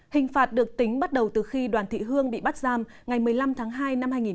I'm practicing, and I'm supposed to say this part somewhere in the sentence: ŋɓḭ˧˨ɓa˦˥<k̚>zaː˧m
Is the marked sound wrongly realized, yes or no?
yes